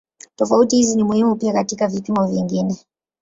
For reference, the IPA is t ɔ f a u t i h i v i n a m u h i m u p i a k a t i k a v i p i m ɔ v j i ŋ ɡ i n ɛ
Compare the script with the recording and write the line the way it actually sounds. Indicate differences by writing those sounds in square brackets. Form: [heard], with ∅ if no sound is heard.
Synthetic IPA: t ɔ f a u t i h i [z] i n [i] m u h i m u p i a k a t i k a v i p i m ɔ v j i ŋ ɡ i n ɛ